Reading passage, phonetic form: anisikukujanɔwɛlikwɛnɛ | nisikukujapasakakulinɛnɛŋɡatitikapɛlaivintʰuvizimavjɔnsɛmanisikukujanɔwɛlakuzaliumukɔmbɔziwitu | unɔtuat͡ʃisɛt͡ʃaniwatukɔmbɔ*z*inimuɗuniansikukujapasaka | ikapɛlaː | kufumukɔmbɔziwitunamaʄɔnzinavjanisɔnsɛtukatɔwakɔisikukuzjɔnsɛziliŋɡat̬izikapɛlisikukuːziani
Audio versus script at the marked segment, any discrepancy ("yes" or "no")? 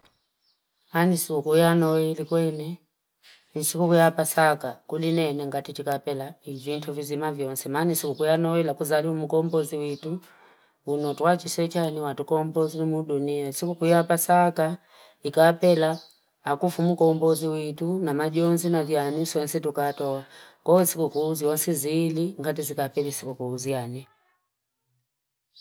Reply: no